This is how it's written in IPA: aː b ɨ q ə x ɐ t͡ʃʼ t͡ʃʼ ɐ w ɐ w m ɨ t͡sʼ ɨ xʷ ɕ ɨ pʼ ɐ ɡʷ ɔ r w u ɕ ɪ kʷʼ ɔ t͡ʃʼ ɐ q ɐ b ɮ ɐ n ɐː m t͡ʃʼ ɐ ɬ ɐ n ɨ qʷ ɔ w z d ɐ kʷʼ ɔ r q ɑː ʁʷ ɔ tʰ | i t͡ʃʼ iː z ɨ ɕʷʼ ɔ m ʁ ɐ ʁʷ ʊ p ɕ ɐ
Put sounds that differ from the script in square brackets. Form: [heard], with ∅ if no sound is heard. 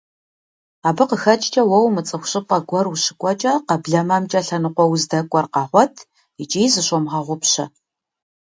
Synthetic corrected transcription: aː b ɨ q ə x ɐ t͡ʃʼ t͡ʃʼ ɐ w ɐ w m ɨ t͡sʼ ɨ xʷ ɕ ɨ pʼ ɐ ɡʷ ɔ r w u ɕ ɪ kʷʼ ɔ t͡ʃʼ ɐ q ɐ b ɮ ɐ [m] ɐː m t͡ʃʼ ɐ ɬ ɐ n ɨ qʷ ɔ w z d ɐ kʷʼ ɔ r q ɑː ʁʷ ɔ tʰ | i t͡ʃʼ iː z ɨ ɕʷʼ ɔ m ʁ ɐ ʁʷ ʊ p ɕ ɐ